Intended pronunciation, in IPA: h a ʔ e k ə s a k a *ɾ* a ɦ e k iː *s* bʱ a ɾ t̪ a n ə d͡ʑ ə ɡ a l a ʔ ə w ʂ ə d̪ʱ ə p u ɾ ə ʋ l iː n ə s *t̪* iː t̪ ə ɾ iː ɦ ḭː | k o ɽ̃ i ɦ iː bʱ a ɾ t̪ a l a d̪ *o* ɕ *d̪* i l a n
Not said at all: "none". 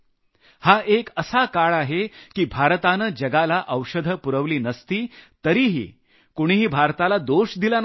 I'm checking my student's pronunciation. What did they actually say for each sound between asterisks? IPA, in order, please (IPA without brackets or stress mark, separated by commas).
ɭ, none, t̪, o, d̪